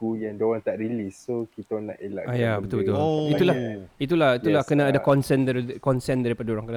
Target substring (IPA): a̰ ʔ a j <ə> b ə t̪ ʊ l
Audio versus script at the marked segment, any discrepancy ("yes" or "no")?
yes